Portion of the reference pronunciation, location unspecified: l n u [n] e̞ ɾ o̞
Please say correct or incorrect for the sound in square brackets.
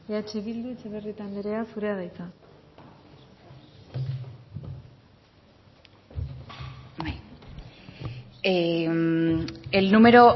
incorrect: m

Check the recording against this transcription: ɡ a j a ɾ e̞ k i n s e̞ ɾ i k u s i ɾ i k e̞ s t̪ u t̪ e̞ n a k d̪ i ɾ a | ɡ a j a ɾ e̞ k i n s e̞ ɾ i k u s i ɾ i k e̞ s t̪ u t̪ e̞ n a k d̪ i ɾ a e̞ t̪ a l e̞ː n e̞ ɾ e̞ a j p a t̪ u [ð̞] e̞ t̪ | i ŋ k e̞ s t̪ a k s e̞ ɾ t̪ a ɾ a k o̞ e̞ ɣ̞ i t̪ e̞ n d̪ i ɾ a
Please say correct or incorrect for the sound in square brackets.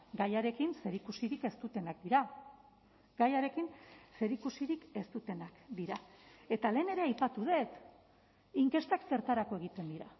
correct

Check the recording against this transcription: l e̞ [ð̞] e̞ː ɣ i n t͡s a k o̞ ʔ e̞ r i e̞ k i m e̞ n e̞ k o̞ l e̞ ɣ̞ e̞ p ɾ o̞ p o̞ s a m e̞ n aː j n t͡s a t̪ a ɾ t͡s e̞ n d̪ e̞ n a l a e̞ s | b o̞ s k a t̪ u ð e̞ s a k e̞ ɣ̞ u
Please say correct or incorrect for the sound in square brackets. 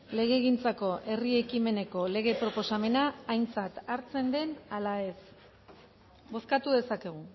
incorrect: ɣ̞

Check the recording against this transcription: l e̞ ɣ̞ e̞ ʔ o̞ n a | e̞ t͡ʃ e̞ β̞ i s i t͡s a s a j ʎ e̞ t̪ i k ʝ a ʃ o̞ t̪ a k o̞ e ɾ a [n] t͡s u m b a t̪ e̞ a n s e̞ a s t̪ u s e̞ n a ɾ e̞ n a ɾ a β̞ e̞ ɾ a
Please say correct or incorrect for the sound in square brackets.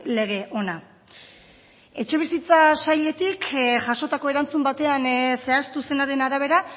correct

